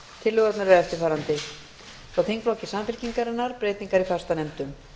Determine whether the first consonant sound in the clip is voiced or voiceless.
voiceless